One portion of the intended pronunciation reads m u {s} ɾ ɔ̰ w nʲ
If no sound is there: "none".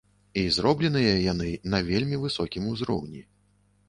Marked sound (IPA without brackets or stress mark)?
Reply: z